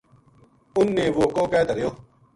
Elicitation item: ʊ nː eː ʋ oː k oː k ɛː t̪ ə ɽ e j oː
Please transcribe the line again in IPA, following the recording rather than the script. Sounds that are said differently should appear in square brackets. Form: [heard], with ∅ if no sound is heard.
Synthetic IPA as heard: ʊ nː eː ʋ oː k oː k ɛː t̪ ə [ɾ] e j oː